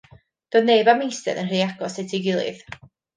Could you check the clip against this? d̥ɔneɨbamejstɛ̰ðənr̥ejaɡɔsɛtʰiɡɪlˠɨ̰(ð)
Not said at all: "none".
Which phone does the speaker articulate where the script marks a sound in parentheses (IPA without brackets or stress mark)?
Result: ð